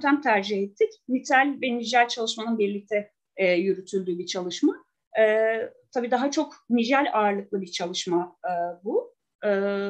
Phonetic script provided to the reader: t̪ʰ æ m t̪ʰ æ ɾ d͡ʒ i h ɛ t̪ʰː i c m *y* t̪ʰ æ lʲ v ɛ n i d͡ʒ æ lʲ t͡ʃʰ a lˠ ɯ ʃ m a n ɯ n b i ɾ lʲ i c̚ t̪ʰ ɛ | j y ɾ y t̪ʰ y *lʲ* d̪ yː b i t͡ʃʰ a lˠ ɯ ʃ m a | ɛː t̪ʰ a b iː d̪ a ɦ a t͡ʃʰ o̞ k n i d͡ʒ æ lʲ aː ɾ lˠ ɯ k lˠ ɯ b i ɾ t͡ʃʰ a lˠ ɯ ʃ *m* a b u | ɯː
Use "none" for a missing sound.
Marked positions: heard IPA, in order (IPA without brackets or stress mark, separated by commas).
i, lʲ, m